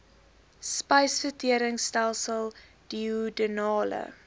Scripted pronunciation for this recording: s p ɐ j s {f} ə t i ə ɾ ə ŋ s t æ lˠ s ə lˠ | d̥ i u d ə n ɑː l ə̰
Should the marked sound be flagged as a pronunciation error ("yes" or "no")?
no